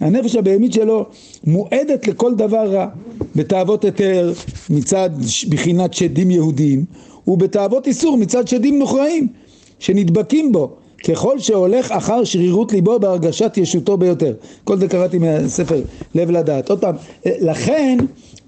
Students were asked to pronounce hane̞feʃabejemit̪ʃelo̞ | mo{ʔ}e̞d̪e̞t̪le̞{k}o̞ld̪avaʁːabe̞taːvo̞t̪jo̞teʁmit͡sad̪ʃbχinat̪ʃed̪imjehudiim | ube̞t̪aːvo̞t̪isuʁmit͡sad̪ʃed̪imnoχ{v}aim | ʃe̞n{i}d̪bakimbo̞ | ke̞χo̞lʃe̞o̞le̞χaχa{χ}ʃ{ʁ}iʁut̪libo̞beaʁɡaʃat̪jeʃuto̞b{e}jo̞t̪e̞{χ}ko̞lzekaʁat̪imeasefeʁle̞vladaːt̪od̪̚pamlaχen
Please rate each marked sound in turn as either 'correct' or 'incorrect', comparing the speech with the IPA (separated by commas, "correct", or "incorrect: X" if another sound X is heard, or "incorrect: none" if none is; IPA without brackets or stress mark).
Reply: correct, correct, incorrect: ʁ, correct, incorrect: ʁ, correct, correct, incorrect: ʁ